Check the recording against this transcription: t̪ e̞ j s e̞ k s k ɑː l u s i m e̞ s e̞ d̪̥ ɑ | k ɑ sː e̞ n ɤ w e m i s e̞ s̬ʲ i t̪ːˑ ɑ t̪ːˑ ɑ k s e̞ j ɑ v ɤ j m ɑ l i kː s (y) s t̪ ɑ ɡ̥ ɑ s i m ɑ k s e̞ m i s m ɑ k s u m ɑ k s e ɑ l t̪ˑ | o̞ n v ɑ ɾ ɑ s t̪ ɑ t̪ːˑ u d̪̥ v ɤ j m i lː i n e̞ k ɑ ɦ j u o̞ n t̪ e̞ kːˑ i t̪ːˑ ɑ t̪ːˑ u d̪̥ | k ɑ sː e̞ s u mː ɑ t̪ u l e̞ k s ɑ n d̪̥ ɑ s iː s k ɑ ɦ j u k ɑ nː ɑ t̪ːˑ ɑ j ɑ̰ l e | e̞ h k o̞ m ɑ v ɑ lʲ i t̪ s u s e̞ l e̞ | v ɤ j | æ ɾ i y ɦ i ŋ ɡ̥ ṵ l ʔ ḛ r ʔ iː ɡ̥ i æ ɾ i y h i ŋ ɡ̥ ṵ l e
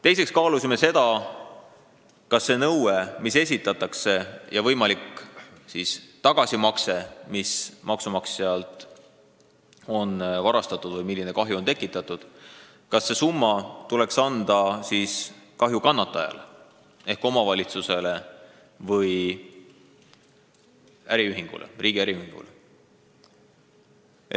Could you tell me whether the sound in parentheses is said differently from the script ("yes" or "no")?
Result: yes